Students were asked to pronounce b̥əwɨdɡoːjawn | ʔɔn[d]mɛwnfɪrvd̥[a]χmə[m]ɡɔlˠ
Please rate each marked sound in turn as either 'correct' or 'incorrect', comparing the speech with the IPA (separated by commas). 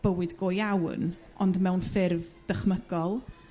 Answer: correct, incorrect, incorrect